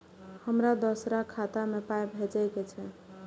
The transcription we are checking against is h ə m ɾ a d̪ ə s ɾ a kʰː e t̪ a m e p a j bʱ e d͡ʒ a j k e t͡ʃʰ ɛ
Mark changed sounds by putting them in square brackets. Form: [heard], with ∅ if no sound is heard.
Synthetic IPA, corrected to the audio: h ə m ɾ a d̪ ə s ɾ a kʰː [a] t̪ a m e p a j bʱ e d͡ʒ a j k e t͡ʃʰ ɛ